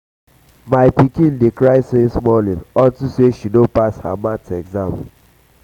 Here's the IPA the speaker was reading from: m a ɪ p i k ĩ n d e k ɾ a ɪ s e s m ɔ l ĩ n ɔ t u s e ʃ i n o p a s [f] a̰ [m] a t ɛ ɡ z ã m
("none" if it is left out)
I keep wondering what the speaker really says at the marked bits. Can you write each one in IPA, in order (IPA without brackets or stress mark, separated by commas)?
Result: h, m